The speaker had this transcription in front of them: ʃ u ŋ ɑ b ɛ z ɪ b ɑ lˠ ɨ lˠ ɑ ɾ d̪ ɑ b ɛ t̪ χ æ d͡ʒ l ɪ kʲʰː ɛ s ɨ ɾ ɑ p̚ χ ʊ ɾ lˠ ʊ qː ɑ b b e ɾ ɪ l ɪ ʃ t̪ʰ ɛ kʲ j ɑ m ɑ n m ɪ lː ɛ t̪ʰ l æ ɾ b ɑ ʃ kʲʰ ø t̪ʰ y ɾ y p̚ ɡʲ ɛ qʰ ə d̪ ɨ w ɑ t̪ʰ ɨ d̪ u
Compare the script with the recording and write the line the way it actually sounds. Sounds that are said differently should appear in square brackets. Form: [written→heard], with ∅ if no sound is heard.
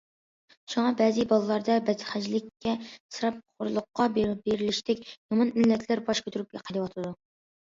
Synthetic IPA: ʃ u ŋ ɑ b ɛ z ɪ b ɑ lˠ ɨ lˠ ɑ ɾ d̪ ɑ b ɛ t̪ χ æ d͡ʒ l ɪ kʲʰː ɛ s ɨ ɾ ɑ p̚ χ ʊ ɾ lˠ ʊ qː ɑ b b e ɾ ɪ l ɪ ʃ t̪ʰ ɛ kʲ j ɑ m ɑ n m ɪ lː ɛ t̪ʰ l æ ɾ b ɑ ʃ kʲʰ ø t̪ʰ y ɾ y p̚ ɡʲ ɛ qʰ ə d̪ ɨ w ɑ t̪ʰ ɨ d̪ u